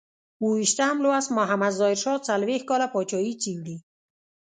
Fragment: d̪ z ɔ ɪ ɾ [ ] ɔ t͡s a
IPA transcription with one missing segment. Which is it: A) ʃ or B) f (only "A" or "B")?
A